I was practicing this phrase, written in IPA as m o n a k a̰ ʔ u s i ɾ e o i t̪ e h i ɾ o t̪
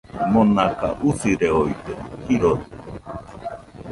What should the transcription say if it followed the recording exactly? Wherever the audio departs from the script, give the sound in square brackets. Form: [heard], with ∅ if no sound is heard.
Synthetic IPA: m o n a k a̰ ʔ u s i ɾ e o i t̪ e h i ɾ o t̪